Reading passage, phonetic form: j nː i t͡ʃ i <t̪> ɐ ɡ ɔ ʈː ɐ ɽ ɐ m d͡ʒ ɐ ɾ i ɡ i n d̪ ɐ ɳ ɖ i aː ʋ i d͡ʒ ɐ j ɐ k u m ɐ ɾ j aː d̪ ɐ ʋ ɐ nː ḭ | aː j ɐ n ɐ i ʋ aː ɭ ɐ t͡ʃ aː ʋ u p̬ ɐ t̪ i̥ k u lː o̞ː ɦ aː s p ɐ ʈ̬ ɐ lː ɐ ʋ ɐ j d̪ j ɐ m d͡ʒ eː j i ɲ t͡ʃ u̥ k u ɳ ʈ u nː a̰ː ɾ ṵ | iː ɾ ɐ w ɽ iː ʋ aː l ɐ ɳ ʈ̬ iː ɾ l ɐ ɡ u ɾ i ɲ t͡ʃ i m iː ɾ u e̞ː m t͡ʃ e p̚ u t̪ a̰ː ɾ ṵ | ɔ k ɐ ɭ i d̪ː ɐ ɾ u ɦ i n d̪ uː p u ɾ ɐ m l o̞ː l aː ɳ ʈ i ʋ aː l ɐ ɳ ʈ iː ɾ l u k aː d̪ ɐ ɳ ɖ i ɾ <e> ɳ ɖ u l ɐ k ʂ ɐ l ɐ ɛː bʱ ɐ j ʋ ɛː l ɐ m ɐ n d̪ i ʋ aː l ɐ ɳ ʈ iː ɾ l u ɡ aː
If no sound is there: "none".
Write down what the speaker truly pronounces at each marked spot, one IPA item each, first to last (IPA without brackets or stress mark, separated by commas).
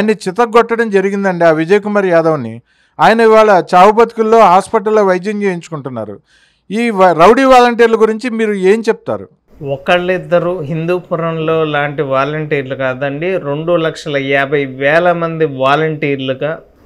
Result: t̪, e